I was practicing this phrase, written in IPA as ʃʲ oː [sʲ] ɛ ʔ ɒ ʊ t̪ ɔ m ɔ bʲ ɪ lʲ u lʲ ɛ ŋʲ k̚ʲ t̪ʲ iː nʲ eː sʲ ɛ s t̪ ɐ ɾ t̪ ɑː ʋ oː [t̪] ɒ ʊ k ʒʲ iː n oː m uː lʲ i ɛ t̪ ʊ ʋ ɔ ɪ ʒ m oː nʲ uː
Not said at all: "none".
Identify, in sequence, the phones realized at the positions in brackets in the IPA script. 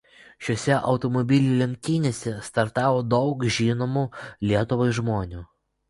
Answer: sʲ, d̪

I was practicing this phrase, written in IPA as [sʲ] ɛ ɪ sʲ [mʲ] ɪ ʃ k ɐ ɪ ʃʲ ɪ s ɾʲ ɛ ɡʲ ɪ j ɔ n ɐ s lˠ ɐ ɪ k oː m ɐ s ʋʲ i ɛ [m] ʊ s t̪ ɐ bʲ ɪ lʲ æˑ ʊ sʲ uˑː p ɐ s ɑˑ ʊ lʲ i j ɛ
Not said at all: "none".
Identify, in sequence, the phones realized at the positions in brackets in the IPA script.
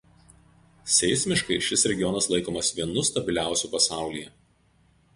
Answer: sʲ, mʲ, n

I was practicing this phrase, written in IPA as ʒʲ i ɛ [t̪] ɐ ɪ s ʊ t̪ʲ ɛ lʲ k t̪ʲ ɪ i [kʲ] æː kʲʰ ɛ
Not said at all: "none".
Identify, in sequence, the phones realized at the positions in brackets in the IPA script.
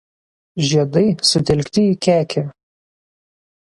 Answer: d̪, kʲ

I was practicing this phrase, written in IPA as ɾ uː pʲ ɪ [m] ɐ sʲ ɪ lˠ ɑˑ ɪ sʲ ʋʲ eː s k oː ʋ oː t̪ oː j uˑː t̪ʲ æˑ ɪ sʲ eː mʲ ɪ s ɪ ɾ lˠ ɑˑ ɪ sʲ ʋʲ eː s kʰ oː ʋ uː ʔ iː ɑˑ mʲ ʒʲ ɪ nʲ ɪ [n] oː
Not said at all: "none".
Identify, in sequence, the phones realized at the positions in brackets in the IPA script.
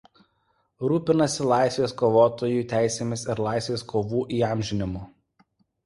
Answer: n, m

